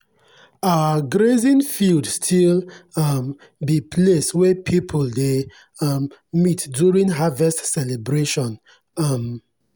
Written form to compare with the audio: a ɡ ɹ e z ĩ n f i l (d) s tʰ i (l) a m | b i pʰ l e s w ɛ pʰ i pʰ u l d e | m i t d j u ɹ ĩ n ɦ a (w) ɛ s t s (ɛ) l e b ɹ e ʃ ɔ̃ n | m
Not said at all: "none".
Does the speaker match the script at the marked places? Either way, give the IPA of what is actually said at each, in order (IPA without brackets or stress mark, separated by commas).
d, l, v, ɛ